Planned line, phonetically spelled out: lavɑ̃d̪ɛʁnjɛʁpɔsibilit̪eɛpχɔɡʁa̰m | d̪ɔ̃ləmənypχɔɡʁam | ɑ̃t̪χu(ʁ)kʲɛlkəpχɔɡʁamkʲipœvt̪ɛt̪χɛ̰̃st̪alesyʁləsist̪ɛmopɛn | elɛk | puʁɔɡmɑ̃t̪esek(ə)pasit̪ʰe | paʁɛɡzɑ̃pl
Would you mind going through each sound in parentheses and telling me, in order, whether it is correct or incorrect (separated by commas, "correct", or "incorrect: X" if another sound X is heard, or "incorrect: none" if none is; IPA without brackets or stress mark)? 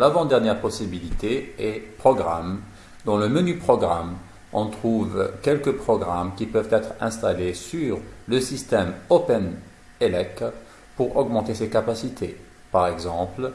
incorrect: v, incorrect: a